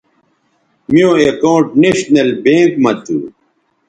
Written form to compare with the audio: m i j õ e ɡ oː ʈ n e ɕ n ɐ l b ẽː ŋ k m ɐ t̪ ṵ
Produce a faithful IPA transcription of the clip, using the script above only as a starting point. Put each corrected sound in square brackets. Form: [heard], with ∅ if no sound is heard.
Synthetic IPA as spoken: m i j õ e [k] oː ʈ n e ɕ n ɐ l b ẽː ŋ k m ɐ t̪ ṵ